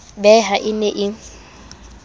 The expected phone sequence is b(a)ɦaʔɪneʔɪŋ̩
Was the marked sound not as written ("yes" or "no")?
yes